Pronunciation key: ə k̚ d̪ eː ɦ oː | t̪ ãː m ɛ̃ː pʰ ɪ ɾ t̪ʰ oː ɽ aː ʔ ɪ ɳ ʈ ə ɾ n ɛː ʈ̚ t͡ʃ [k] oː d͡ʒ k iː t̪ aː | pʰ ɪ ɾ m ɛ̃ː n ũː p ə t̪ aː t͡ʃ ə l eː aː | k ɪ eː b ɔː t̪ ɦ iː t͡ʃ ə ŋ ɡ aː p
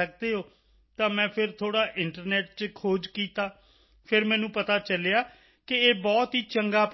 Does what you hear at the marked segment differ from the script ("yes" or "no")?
yes